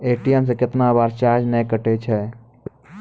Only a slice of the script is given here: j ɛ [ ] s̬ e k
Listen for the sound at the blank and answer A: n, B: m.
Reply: B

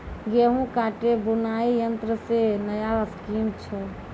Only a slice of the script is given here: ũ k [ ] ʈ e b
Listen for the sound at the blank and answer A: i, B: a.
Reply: B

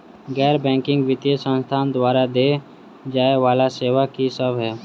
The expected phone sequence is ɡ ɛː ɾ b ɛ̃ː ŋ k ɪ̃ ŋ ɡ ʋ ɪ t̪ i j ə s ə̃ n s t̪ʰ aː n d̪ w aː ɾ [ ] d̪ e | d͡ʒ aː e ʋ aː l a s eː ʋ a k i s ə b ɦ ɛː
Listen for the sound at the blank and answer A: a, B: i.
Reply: A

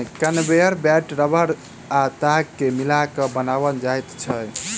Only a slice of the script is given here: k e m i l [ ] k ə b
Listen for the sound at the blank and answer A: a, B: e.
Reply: A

